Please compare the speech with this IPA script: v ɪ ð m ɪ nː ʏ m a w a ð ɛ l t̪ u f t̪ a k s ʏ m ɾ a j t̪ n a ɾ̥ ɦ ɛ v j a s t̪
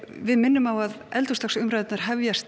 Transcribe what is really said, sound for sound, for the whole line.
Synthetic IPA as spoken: v ɪ ð m ɪ nː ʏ m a w a ð ɛ l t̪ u s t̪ a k s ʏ m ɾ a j t̪ n a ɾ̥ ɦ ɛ v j a s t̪